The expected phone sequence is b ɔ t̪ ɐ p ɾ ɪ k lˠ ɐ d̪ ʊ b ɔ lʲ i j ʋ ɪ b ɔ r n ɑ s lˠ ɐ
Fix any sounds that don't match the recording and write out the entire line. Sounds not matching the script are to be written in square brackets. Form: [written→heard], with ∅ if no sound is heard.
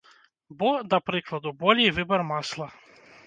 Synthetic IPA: b ɔ [t̪→d̪] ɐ p ɾ ɪ k lˠ ɐ d̪ ʊ b ɔ lʲ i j ʋ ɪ b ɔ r [n→m] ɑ s lˠ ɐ